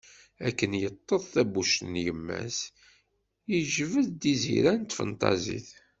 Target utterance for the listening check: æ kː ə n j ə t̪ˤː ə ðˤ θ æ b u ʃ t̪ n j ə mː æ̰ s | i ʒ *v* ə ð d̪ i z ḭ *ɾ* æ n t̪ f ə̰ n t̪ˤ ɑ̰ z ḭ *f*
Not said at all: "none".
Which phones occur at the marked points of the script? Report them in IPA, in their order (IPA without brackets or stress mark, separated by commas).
v, ɾ, θ